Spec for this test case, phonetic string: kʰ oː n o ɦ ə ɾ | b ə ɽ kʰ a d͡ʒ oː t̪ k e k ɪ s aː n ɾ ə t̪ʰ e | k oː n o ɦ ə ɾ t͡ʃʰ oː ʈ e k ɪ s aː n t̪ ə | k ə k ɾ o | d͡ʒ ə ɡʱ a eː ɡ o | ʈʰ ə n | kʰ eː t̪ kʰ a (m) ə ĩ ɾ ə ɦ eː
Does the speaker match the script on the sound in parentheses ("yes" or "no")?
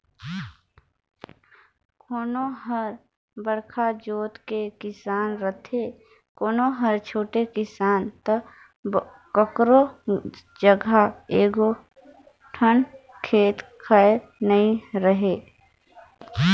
no